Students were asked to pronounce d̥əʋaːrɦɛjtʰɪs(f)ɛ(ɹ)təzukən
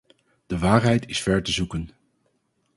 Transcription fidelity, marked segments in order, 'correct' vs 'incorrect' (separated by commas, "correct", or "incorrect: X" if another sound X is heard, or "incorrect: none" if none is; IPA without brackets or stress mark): correct, correct